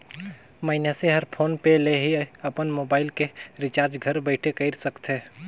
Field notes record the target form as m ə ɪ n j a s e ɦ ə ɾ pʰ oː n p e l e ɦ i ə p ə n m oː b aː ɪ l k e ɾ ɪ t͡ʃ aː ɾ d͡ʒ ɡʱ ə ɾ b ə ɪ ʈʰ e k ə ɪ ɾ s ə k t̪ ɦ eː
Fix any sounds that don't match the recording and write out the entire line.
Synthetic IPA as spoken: m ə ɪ n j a s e ɦ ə ɾ pʰ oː n p e l e ɦ i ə p ə n m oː b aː ɪ l k e ɾ ɪ t͡ʃ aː ɾ d͡ʒ ɡʱ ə ɾ b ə ɪ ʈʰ e k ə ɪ ɾ s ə k t̪ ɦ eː

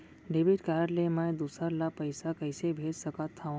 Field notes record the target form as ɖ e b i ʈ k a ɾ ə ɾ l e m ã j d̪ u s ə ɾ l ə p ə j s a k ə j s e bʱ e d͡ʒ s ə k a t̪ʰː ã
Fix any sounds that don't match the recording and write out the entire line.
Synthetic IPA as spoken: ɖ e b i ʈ k a ɾ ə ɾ l e m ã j d̪ u s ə ɾ l a p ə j s a k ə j s e bʱ e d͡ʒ s ə k a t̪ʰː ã

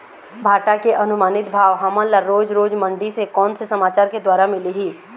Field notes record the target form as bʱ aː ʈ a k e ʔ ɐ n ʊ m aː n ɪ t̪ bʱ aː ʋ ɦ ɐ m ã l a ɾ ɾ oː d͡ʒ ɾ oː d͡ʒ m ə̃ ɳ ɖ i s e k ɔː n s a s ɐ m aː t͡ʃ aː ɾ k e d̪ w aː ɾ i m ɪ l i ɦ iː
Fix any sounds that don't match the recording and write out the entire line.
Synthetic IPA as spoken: bʱ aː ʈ a k e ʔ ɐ n ʊ m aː n ɪ t̪ bʱ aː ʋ ɦ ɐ m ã l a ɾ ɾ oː d͡ʒ ɾ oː d͡ʒ m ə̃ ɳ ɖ i s e k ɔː n s e s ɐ m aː t͡ʃ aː ɾ k e d̪ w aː ɾ a m ɪ l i ɦ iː

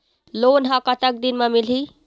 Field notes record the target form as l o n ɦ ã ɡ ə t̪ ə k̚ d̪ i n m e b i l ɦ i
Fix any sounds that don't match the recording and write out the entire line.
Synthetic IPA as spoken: l o n ɦ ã k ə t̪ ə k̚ d̪ i n m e m i l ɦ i

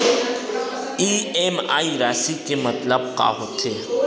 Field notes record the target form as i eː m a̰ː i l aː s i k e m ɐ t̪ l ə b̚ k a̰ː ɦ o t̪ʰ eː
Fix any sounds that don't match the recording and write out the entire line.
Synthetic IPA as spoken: i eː m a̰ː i ɾ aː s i k e m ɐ t̪ l ə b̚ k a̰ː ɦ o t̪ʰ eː

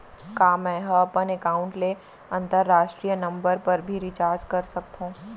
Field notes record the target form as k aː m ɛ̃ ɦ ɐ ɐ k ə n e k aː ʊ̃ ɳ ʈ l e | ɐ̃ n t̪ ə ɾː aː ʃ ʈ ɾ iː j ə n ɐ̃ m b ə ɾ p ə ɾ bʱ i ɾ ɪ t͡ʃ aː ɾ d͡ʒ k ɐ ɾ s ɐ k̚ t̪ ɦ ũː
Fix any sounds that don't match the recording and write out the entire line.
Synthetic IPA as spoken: k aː m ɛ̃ ɦ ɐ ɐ p ə n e k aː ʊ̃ ɳ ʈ l e | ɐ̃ n t̪ ə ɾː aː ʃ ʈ ɾ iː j ə n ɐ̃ m b ə ɾ p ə ɾ bʱ i ɾ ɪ t͡ʃ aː ɾ d͡ʒ k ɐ ɾ s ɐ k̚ t̪ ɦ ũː

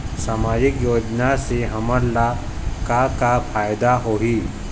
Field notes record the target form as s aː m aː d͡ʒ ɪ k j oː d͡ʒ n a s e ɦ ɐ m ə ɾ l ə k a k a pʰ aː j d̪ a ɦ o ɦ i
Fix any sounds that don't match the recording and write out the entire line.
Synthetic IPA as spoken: s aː m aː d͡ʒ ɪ k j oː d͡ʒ n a s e ɦ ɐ m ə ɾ l a k a k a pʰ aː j d̪ a ɦ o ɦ i

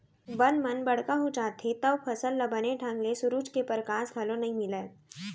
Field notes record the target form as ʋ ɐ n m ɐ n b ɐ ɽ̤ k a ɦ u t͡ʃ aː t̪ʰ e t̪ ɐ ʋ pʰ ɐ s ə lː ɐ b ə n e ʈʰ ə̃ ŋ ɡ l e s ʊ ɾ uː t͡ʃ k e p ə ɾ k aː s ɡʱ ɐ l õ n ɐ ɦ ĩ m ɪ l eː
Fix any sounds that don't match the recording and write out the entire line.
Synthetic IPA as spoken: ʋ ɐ n m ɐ n b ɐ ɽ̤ k a ɦ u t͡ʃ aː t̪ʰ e t̪ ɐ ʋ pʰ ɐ s ə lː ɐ b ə n e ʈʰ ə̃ ŋ ɡ l e s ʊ ɾ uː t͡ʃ k e p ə ɾ k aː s ɡʱ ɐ l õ n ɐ ɦ ĩ m ɪ l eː

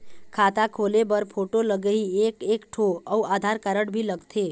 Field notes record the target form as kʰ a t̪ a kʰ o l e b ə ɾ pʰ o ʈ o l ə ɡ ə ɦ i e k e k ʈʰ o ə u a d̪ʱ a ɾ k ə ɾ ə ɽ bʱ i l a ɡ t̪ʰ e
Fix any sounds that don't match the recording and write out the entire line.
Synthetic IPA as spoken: kʰ a t̪ a kʰ o l e b ə ɾ pʰ o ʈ o l ə ɡ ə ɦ i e k e k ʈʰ o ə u a d̪ʱ a ɾ k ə ɾ ə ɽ bʱ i l ə ɡ t̪ʰ e

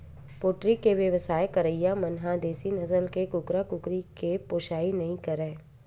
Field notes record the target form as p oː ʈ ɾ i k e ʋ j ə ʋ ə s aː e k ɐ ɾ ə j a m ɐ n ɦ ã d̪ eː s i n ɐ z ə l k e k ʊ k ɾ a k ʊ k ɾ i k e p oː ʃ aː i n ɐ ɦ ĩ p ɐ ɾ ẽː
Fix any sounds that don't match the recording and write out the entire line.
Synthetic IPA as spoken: p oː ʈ ɾ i k e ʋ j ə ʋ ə s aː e k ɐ ɾ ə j a m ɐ n ɦ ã d̪ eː s i n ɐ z ə l k e k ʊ k ɾ a k ʊ k ɾ i k e p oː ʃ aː i n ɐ ɦ ĩ k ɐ ɾ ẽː

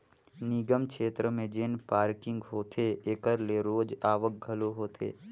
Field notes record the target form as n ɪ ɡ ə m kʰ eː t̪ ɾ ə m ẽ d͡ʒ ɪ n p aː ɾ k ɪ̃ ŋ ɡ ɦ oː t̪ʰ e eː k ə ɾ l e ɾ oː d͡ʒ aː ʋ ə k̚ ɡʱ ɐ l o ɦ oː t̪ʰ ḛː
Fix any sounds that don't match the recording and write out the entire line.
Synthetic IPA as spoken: n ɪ ɡ ə m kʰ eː t̪ ɾ ə m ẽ d͡ʒ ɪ n p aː ɾ k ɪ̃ ŋ ɡ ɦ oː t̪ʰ e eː k ə ɾ l e ɾ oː d͡ʒ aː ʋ ə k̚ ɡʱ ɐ l o ɦ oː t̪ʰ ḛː

